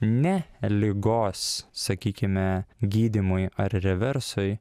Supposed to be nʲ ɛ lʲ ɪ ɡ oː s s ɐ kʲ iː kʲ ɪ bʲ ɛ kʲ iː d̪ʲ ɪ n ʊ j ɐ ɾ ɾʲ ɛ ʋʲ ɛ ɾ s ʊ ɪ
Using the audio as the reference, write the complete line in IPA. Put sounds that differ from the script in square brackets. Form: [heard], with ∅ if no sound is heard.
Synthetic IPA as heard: nʲ ɛ lʲ ɪ ɡ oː s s ɐ kʲ iː kʲ ɪ [mʲ] ɛ [ɡʲ] iː d̪ʲ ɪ [m] ʊ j ɐ ɾ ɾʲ ɛ ʋʲ ɛ ɾ s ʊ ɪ